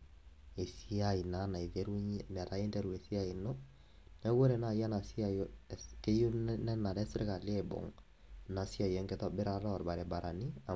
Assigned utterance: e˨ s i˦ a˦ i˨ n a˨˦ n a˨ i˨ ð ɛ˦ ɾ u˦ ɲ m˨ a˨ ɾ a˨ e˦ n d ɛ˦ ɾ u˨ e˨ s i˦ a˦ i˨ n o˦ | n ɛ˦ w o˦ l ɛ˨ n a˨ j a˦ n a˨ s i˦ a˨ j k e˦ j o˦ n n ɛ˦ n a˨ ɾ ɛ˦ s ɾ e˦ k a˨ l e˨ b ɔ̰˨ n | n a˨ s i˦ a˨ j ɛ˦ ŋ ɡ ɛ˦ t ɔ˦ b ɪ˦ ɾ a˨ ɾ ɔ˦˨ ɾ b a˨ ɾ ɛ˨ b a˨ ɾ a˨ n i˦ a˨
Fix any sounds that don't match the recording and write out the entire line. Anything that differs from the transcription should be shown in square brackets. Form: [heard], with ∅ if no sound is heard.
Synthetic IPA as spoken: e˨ s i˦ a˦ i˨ n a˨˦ n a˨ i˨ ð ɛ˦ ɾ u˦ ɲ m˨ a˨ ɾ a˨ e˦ n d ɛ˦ ɾ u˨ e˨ s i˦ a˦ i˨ n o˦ | n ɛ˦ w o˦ [ɾ] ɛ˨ n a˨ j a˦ n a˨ s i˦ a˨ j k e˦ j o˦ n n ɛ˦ n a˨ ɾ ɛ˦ s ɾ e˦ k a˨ l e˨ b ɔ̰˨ [ŋ] | n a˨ s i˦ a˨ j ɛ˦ ŋ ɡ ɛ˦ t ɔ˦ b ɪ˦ ɾ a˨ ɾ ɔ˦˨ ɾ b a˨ ɾ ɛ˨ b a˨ ɾ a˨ n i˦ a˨